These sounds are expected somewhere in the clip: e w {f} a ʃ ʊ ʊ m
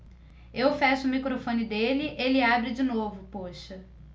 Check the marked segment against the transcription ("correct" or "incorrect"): correct